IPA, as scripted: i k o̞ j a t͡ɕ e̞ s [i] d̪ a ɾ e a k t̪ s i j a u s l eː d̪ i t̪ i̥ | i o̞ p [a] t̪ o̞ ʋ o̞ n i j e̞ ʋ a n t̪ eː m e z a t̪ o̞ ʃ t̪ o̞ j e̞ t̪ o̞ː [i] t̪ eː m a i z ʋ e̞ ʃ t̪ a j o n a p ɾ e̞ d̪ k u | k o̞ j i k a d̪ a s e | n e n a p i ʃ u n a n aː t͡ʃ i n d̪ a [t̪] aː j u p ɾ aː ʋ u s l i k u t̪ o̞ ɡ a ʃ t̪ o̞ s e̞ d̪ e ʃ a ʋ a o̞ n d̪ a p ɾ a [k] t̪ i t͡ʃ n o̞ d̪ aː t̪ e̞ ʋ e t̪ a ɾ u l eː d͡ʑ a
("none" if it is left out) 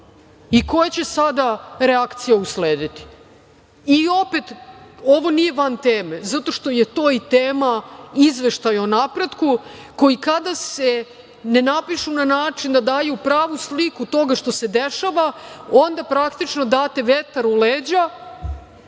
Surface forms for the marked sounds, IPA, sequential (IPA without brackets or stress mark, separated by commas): a, e, i, d̪, k